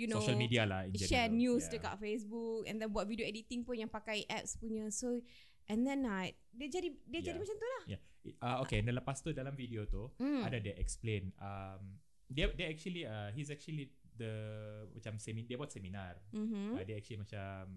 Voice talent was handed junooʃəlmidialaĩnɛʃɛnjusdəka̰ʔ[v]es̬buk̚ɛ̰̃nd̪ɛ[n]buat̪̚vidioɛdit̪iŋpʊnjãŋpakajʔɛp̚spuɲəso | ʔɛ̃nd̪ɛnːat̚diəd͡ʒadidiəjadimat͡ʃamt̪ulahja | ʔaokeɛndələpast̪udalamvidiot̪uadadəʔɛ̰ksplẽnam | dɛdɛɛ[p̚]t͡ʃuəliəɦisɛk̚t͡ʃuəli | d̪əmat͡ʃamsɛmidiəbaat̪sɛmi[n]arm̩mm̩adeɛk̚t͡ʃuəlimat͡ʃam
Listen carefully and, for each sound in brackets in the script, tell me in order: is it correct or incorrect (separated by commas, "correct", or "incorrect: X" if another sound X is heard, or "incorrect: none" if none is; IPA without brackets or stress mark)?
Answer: incorrect: f, correct, incorrect: k̚, correct